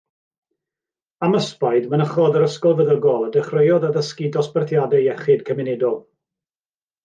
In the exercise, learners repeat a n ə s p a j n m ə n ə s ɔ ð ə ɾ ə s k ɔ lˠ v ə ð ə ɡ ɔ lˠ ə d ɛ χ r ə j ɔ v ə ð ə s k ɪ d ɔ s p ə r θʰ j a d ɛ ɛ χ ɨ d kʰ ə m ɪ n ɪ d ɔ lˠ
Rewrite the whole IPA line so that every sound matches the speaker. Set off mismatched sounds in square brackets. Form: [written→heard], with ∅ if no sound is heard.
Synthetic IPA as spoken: a [n→m] ə s p a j [n→d] m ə n ə [s→χ] ɔ ð ə ɾ ə s k ɔ lˠ v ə ð ə ɡ ɔ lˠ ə d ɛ χ r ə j ɔ [v→ð] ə ð ə s k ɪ d ɔ s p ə r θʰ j a d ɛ ɛ χ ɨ d kʰ ə m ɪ n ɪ d ɔ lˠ